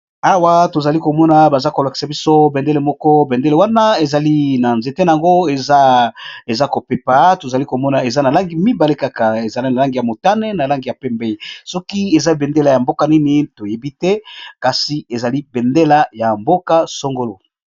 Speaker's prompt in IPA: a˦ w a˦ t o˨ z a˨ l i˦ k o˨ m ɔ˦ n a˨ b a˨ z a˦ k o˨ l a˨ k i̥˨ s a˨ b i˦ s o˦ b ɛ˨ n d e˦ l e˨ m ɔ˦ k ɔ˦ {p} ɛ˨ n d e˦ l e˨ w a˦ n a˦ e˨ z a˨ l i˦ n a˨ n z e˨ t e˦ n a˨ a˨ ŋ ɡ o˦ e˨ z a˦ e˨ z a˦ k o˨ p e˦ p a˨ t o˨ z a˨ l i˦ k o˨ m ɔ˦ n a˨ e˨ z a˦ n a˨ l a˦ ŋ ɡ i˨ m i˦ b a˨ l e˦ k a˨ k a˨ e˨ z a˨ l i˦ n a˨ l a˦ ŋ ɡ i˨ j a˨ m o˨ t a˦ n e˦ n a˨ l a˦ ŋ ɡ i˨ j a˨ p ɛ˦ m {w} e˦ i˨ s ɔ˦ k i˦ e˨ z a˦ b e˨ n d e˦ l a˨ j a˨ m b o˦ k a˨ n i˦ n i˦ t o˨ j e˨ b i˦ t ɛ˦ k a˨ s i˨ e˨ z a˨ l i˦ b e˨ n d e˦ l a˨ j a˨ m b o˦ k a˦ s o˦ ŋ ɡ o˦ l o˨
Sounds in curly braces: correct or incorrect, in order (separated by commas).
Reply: incorrect, incorrect